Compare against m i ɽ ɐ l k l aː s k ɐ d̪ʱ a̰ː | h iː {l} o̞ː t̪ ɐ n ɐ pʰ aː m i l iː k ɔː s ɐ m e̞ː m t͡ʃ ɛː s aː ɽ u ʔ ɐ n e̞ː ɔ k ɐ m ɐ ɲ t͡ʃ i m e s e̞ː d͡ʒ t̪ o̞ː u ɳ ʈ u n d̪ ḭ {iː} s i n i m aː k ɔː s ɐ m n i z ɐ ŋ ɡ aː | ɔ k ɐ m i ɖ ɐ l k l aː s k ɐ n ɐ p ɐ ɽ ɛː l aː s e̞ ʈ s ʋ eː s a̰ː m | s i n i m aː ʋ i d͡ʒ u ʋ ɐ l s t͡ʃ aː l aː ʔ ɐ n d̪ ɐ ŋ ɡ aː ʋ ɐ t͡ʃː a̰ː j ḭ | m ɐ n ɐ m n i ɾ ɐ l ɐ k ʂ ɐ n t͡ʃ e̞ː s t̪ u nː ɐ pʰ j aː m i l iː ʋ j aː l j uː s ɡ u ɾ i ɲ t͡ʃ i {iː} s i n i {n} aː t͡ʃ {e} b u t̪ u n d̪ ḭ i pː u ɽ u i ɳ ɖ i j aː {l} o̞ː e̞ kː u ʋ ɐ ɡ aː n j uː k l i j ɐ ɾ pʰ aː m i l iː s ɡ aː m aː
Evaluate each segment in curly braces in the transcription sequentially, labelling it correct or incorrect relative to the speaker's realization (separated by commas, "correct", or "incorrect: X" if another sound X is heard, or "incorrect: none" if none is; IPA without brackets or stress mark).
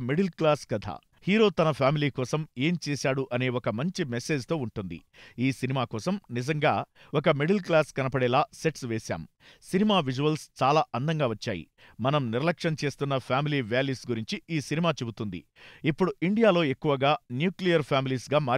incorrect: ɾ, correct, correct, incorrect: m, correct, correct